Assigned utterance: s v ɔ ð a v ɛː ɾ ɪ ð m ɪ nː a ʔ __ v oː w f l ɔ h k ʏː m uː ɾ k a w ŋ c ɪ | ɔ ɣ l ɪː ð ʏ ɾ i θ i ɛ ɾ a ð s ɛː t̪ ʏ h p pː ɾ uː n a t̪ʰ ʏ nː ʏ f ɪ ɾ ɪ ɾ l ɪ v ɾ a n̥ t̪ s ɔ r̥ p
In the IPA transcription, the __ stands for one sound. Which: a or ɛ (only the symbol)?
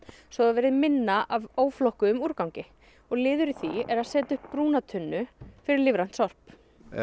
a